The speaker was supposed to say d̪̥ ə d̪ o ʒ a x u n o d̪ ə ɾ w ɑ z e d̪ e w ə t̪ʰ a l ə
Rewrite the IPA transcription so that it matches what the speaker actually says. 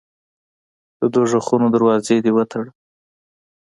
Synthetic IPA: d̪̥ ə d̪ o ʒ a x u n o d̪ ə ɾ w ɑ z e d̪ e w ə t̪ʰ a ɽ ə